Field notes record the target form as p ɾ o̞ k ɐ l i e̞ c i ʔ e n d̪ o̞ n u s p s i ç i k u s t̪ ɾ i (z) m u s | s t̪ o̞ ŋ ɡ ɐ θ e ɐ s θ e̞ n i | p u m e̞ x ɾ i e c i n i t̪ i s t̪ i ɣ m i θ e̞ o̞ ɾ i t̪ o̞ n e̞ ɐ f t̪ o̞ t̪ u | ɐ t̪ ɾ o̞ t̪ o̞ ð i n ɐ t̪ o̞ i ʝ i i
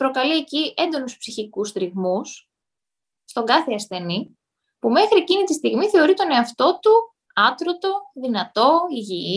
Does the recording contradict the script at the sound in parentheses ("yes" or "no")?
yes